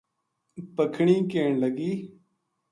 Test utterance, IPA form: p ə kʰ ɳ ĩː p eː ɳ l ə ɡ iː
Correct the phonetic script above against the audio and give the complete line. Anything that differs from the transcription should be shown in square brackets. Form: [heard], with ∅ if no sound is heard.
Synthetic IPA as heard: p ə kʰ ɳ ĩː [k] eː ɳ l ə ɡ iː